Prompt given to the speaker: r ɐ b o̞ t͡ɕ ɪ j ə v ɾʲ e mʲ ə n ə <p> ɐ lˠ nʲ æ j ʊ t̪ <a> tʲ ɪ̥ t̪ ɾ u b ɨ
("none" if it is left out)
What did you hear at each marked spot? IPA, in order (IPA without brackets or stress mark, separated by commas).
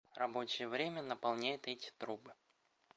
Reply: p, ɛ